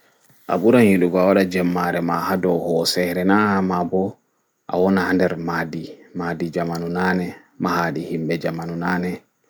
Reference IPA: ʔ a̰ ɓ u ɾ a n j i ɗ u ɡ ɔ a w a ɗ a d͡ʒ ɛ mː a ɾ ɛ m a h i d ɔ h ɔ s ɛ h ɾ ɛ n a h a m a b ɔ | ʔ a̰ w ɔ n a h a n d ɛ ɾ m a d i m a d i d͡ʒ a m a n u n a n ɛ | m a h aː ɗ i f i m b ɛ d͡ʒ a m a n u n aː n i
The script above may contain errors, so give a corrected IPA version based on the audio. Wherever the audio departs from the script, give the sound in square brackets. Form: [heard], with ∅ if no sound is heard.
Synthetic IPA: ʔ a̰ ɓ u ɾ a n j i ɗ u ɡ ɔ a w a ɗ a d͡ʒ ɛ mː a ɾ ɛ m a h [a] d ɔ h ɔ s ɛ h ɾ ɛ n a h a m a b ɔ | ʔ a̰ w ɔ n a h a n d ɛ ɾ m a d i m a d i d͡ʒ a m a n u n a n ɛ | m a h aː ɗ i [h] i m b ɛ d͡ʒ a m a n u n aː n [ɛ]

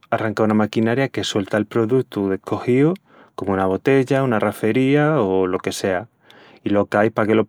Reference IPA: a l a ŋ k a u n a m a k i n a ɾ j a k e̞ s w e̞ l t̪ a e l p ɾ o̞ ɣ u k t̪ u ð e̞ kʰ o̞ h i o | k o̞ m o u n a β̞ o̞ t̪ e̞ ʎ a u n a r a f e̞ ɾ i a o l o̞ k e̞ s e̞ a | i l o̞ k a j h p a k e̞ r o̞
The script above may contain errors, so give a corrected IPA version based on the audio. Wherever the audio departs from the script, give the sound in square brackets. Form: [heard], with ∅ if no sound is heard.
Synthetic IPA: a [r] a ŋ k a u n a m a k i n a ɾ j a k e̞ s w e̞ l t̪ a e l p ɾ o̞ [ð] u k t̪ u ð e̞ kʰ o̞ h i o | k o̞ m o u n a β̞ o̞ t̪ e̞ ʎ a u n a r a f e̞ ɾ i a o l o̞ k e̞ s e̞ a | i l o̞ k a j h p a k e̞ [l] o̞

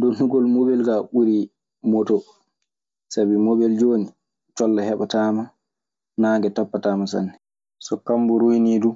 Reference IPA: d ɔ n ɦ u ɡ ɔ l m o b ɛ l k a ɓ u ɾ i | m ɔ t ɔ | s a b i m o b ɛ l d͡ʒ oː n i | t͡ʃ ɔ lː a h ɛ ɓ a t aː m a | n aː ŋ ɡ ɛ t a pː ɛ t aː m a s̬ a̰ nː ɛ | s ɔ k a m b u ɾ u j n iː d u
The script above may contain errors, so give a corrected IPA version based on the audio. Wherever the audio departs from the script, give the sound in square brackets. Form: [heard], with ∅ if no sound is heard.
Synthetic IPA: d ɔ n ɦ u ɡ ɔ l m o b ɛ l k a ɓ u ɾ i | m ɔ t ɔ | s a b i m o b ɛ l d͡ʒ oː n i | t͡ʃ ɔ lː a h ɛ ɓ a t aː m a | n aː ŋ ɡ ɛ t a pː [a] t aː m a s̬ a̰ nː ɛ | s ɔ k a m b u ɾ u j n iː d u

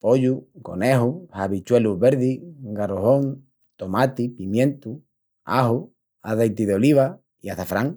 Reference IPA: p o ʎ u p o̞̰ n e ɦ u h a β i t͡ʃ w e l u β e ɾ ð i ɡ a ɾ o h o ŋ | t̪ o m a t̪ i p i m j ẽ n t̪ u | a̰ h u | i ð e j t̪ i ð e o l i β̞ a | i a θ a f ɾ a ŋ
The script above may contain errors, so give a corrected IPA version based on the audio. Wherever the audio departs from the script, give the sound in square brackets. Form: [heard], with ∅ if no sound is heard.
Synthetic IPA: p o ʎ u [k] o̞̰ n e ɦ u h a β i t͡ʃ w e l u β e ɾ ð i ɡ a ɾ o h o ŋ | t̪ o m a t̪ i p i m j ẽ n t̪ u | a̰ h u | [a] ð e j t̪ i ð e o l i β̞ a | i a θ a f ɾ a ŋ

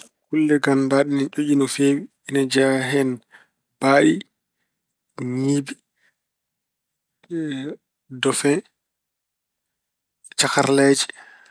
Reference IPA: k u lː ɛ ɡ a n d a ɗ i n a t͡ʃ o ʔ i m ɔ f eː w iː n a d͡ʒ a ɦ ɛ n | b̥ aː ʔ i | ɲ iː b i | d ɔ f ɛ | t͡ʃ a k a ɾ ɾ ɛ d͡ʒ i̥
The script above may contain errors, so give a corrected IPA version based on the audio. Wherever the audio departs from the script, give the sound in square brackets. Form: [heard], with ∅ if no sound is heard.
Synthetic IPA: k u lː ɛ ɡ a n d a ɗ i n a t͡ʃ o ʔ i [n] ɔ f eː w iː n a d͡ʒ a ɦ ɛ n | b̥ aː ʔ i | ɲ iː b i | d ɔ f ɛ | t͡ʃ a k a ɾ [l] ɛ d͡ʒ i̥

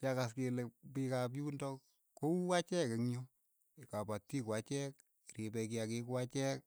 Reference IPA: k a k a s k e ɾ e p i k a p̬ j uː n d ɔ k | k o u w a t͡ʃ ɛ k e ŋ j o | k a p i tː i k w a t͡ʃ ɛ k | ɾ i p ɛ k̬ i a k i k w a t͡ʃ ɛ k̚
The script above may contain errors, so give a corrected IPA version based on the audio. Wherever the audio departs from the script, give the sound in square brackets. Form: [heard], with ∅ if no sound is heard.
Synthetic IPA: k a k a s k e [l] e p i k a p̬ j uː n d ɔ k | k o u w a t͡ʃ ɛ k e ŋ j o | k a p [a] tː i k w a t͡ʃ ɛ k | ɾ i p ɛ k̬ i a k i k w a t͡ʃ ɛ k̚

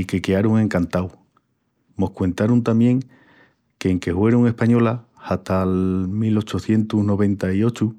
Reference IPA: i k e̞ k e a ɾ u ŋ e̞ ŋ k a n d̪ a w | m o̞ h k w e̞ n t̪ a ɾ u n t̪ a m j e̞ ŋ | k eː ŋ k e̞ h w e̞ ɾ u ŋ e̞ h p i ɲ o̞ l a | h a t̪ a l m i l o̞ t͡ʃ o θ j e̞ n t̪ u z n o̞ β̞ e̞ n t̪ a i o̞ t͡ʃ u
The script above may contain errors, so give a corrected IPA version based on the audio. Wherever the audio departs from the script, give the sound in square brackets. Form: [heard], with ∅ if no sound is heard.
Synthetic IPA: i k e̞ k e a ɾ u ŋ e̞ ŋ k a n [t̪] a w | m o̞ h k w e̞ n t̪ a ɾ u n t̪ a m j e̞ ŋ | k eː ŋ k e̞ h w e̞ ɾ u ŋ e̞ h p [a] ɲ o̞ l a | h a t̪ a l m i l o̞ t͡ʃ o θ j e̞ n t̪ u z n o̞ β̞ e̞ n t̪ a i o̞ t͡ʃ u

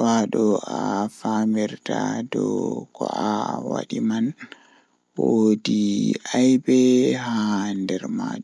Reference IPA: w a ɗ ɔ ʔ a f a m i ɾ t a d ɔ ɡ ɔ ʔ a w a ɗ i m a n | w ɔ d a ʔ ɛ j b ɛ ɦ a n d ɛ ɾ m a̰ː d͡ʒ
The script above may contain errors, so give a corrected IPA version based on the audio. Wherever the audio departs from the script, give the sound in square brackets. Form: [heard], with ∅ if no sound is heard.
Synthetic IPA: w a ɗ ɔ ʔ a f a m i ɾ t a d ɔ [k] ɔ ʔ a w a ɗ i m a n | w [o] d [i] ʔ [a] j b ɛ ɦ a n d ɛ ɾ m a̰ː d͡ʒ

